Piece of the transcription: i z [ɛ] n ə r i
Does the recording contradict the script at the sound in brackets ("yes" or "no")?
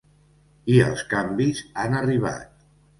yes